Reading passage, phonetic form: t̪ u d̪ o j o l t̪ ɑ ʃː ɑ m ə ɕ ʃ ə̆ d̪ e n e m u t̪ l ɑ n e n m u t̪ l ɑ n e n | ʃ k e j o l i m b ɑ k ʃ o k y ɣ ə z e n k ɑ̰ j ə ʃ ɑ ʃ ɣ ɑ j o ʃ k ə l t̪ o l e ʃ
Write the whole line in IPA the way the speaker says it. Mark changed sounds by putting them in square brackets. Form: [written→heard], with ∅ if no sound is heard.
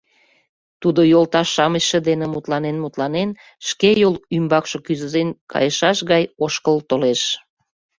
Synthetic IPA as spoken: t̪ u d̪ o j o l t̪ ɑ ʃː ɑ m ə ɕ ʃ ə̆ d̪ e n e m u t̪ l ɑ n e n m u t̪ l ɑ n e n | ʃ k e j o l [i→y] m b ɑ k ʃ o k y [ɣ→z] ə z e n k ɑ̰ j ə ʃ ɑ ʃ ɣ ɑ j o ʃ k ə l t̪ o l e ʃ